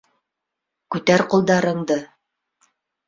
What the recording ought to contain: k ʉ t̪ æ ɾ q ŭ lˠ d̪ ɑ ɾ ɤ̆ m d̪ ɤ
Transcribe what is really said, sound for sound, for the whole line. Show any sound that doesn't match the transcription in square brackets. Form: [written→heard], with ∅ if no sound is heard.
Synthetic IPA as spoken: k ʉ t̪ æ ɾ q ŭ lˠ d̪ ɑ ɾ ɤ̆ [m→ɴ] d̪ ɤ